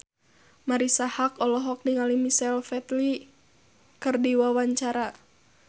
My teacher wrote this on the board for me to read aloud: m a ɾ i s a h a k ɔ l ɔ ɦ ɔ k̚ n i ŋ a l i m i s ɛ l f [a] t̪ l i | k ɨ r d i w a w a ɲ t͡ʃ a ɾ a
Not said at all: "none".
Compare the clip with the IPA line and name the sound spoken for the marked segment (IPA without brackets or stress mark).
ɛ